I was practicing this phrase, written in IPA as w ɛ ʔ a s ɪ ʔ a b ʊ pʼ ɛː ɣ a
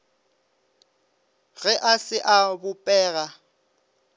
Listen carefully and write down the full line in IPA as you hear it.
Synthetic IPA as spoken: ɣ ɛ ʔ a s ɪ ʔ a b ʊ pʼ ɛː ɣ a